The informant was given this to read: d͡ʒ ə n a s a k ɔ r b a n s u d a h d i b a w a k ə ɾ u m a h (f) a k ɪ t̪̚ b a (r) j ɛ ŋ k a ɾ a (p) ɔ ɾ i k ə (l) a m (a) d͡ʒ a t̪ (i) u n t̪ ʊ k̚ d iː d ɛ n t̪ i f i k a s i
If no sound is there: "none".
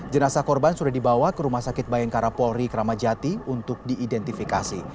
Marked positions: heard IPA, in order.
s, none, p, ɾ, a, i

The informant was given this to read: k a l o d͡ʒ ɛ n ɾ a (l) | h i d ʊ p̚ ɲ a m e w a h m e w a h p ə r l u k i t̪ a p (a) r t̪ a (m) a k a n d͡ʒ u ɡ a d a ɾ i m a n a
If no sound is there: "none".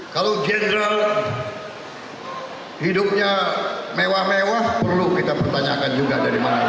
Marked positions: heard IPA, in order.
l, ə, ɲ

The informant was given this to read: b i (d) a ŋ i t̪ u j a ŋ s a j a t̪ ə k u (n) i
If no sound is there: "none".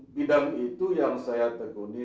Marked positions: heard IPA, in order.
d, n

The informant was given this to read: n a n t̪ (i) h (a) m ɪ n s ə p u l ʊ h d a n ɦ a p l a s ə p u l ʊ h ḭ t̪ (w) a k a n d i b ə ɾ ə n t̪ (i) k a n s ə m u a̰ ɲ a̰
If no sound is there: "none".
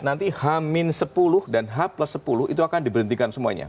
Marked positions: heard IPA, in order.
i, a, u, i

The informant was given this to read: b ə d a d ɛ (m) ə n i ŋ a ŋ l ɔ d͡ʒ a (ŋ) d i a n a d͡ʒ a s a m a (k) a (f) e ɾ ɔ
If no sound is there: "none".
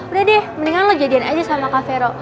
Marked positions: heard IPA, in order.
m, none, k, f

